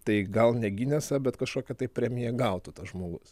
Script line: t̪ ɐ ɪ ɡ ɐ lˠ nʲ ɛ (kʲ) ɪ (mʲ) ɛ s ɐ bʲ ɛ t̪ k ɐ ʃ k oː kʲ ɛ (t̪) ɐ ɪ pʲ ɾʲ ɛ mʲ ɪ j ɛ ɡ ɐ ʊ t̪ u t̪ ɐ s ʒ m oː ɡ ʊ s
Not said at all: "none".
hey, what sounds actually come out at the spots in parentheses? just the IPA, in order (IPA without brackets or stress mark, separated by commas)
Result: ɡʲ, nʲ, t̪